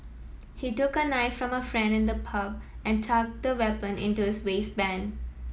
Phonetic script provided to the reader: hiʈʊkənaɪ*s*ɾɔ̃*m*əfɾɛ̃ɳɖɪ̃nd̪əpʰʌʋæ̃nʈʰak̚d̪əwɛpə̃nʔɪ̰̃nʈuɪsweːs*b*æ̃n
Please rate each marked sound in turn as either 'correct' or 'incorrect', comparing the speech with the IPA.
incorrect, correct, correct

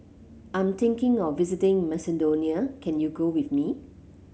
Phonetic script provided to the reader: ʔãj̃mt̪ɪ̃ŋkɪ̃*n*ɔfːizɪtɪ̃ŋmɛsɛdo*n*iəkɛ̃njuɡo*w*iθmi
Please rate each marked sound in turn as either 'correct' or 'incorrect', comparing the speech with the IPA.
incorrect, correct, correct

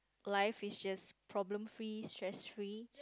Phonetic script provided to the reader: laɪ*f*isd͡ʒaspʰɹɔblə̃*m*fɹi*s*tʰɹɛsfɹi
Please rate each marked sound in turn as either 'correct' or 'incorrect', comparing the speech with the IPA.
correct, correct, correct

